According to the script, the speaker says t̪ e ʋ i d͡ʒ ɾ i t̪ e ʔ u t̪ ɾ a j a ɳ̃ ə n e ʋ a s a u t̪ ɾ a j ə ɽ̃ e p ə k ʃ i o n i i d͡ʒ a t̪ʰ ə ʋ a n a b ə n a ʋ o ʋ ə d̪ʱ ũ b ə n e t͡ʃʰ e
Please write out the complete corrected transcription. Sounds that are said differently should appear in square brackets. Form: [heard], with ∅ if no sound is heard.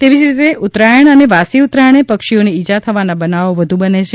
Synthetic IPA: t̪ e ʋ i d͡ʒ ɾ i t̪ e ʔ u t̪ ɾ a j [ə] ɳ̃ ə n e ʋ a s [i] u t̪ ɾ a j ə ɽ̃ e p ə k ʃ i o n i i d͡ʒ a t̪ʰ ə ʋ a n a b ə n a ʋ o ʋ ə d̪ʱ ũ b ə n e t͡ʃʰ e